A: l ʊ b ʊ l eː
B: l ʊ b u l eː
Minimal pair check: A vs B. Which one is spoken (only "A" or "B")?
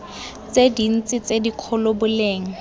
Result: A